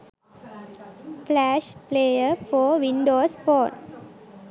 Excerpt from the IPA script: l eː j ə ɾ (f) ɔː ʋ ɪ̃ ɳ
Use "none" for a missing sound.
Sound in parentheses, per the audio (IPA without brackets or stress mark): f